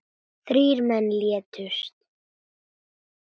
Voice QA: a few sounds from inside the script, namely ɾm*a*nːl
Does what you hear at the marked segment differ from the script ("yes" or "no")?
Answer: yes